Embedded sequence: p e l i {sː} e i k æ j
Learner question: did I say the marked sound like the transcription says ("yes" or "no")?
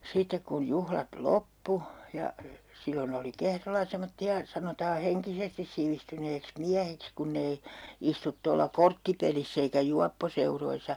yes